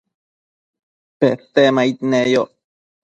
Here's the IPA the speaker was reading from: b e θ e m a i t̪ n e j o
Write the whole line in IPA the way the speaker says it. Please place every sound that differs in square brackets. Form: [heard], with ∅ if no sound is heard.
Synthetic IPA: [p] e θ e m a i t̪ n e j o